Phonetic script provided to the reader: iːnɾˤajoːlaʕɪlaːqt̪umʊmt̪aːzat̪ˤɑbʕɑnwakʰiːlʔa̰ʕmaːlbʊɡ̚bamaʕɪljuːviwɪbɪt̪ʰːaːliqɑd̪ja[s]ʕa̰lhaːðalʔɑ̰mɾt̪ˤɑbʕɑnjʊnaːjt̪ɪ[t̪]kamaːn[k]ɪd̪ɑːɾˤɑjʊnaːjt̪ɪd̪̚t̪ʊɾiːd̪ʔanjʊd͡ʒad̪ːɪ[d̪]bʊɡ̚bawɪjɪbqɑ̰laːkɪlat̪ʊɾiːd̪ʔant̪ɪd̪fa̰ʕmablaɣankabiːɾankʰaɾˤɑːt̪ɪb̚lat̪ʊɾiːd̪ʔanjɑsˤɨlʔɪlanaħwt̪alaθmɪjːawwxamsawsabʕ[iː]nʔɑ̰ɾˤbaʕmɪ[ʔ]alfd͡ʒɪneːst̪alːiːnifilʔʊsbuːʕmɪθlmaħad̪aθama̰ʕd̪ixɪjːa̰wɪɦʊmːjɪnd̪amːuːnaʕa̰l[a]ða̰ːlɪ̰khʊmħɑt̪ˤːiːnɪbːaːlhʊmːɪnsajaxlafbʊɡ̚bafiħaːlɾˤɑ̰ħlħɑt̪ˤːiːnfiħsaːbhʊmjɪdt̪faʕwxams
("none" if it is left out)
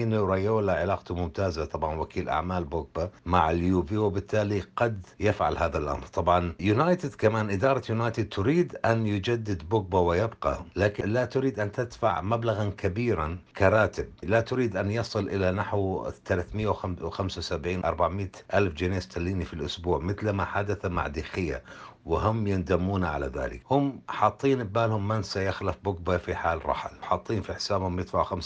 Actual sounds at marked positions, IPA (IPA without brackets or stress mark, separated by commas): f, d̪, ʔ, d̪, iː, ʔ, a